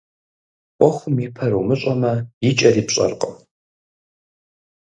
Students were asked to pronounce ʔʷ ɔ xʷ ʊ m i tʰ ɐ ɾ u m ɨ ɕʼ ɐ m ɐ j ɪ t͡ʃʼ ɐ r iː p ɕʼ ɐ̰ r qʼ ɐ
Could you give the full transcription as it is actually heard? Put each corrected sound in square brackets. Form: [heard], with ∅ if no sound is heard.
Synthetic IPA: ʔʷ ɔ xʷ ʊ m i [pʰ] ɐ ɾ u m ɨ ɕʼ ɐ m ɐ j ɪ t͡ʃʼ ɐ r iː p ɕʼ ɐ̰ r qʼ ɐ